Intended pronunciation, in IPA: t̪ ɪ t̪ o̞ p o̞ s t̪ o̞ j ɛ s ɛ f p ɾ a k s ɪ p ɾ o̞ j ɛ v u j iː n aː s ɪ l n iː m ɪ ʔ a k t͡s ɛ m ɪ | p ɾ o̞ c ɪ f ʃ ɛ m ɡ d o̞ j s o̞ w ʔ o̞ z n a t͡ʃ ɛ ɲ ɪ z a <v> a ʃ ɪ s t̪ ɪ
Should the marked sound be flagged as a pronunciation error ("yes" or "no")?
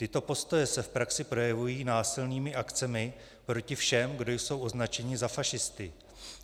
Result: yes